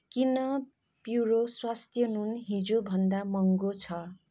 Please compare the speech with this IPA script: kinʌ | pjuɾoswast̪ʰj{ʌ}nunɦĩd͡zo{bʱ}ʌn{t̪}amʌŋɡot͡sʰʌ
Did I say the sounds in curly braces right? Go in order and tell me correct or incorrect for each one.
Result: correct, correct, incorrect

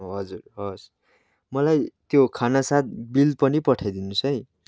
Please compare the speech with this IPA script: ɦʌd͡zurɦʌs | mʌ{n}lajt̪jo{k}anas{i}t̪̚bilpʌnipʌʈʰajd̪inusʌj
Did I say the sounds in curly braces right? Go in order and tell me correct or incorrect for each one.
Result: incorrect, incorrect, incorrect

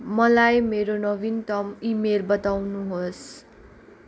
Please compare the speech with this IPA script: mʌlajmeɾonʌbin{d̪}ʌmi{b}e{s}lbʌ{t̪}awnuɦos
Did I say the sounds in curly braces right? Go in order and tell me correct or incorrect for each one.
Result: incorrect, incorrect, incorrect, correct

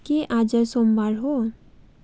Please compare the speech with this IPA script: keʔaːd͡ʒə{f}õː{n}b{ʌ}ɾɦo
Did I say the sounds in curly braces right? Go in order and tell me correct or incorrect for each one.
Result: incorrect, incorrect, incorrect

